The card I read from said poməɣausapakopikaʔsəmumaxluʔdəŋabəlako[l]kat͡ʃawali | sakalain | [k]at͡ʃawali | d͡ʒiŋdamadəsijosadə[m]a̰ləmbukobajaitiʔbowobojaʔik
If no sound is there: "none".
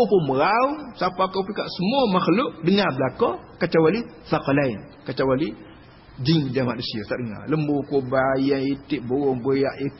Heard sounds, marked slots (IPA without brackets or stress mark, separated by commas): none, k, ŋ